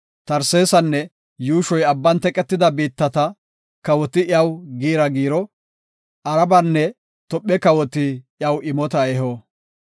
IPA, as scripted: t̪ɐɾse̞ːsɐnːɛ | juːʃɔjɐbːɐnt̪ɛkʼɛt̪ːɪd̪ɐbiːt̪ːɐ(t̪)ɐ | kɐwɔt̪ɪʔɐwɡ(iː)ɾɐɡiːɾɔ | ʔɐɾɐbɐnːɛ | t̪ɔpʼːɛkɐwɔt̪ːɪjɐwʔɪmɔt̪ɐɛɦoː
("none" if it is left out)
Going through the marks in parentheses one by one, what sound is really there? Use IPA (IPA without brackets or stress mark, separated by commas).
t̪, iː